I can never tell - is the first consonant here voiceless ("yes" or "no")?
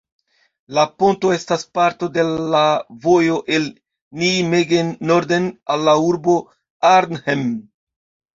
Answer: no